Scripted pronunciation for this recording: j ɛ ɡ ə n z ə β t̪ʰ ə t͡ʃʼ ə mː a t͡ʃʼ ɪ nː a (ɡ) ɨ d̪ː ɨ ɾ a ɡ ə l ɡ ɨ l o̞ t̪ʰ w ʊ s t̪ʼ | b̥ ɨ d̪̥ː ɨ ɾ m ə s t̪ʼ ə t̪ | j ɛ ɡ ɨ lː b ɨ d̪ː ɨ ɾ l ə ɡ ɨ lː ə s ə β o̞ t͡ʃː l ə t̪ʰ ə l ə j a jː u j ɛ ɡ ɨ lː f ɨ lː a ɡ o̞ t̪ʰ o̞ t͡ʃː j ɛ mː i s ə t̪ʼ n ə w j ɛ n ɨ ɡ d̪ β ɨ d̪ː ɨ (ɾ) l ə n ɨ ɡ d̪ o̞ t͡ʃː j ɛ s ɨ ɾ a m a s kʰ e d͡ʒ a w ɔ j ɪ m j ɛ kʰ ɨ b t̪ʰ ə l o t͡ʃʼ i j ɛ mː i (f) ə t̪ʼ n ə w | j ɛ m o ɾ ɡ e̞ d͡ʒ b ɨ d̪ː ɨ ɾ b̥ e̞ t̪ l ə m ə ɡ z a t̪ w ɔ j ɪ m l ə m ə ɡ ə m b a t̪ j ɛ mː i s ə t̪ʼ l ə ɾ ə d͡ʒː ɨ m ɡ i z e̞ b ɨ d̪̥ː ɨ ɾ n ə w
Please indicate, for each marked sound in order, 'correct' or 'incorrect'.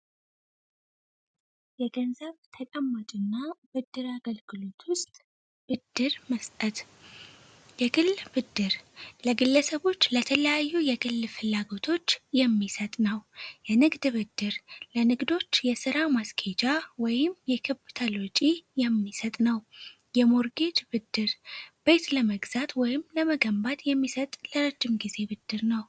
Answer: incorrect, correct, incorrect

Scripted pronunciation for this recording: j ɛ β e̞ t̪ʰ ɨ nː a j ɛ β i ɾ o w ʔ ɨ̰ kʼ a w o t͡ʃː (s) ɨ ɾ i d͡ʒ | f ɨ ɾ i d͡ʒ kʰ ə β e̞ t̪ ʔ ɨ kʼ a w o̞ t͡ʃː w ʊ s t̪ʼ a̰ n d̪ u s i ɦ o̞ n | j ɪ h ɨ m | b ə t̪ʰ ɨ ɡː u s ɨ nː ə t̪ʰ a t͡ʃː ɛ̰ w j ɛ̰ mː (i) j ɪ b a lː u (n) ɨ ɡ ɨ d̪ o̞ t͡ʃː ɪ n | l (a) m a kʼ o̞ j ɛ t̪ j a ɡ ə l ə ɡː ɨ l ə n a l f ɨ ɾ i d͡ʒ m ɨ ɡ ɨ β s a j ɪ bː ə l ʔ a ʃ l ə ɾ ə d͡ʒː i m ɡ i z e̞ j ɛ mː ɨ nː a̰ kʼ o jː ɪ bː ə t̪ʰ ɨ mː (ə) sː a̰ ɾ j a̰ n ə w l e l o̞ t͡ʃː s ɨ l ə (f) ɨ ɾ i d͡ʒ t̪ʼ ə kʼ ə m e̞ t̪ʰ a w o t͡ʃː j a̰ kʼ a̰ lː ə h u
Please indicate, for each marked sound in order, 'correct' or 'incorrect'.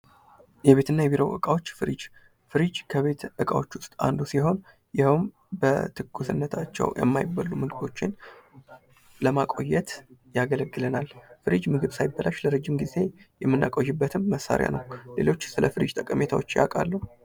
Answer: incorrect, incorrect, incorrect, incorrect, correct, correct

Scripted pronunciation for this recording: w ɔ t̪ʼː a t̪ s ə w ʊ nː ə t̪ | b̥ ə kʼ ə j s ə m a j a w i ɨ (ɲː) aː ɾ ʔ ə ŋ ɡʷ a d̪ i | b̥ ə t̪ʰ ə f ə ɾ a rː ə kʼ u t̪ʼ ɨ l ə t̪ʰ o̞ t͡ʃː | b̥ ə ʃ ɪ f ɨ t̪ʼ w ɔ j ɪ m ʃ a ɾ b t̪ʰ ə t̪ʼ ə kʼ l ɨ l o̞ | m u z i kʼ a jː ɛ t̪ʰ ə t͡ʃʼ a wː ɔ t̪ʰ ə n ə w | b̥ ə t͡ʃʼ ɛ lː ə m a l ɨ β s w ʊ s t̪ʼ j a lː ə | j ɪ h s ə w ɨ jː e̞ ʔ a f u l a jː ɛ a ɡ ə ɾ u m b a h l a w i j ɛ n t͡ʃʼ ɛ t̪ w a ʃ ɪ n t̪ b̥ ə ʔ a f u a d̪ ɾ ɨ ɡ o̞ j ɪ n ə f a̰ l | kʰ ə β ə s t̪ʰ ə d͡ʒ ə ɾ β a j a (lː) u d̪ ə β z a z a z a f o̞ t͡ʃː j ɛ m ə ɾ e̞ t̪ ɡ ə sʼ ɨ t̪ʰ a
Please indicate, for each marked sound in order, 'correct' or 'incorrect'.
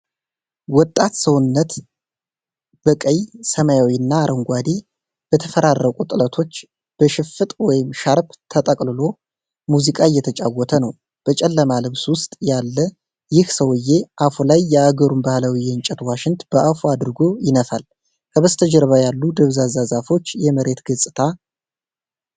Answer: incorrect, correct

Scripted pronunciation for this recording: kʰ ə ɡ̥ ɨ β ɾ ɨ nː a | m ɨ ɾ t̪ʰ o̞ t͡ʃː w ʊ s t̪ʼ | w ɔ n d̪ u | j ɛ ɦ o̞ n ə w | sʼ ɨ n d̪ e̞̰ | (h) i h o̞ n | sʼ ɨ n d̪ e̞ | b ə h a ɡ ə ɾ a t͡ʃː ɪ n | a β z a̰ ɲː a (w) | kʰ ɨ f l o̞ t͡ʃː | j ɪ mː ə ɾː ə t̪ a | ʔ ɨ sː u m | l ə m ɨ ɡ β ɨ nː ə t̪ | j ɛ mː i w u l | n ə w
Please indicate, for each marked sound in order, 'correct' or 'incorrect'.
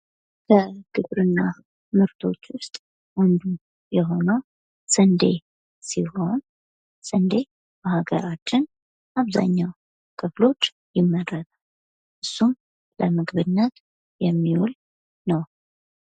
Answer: incorrect, correct

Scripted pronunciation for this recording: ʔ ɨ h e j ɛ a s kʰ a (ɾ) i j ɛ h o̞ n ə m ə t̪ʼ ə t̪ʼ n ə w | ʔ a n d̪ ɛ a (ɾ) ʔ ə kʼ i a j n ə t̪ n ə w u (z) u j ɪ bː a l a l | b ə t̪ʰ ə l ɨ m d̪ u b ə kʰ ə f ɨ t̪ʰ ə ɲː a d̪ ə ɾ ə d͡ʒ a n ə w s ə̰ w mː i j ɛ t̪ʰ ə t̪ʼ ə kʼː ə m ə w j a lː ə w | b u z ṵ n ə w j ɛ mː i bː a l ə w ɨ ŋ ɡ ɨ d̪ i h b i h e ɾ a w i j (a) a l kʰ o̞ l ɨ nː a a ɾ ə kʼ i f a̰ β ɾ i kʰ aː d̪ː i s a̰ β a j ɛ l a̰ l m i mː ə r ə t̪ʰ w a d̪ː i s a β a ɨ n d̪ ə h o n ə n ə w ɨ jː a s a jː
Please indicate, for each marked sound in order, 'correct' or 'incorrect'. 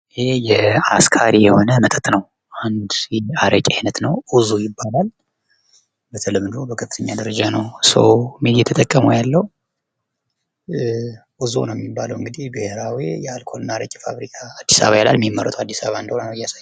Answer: correct, correct, correct, incorrect

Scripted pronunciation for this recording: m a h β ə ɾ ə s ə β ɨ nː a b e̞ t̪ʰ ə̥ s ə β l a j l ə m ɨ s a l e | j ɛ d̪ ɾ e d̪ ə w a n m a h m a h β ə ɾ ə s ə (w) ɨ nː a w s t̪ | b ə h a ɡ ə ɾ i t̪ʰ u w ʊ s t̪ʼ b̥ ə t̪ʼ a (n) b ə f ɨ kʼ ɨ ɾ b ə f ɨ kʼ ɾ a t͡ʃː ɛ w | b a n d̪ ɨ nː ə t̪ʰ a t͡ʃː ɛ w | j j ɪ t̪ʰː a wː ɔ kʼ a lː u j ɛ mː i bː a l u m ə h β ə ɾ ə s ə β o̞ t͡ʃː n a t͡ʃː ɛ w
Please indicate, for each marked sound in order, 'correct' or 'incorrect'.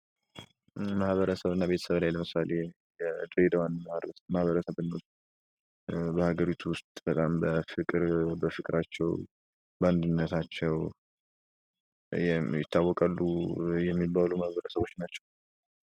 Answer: incorrect, incorrect

